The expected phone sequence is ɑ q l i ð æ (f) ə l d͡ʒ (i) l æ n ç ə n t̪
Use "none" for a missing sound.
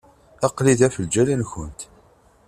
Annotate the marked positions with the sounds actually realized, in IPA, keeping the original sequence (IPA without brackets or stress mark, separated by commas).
f, æ